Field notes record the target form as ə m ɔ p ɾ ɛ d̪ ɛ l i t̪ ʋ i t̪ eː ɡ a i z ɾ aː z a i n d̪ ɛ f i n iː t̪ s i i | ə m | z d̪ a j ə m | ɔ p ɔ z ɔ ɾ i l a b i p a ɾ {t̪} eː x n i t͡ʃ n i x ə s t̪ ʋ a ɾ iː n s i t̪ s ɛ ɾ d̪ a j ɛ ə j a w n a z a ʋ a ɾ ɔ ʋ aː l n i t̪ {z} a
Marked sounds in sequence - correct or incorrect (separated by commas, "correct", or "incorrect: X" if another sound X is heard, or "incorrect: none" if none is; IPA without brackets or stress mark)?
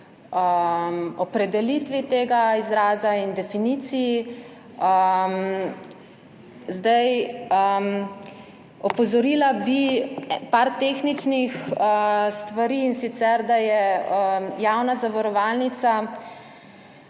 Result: correct, incorrect: s